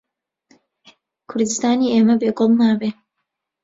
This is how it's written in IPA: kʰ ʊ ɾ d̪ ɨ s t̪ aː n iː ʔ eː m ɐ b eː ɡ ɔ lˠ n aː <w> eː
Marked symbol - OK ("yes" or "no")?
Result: no